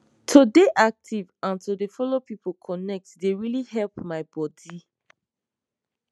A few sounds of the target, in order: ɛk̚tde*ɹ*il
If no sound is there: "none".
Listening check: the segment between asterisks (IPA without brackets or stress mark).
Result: ɹ